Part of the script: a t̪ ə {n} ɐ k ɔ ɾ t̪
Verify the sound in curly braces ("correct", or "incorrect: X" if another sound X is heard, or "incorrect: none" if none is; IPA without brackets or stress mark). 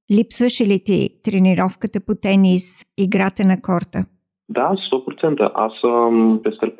correct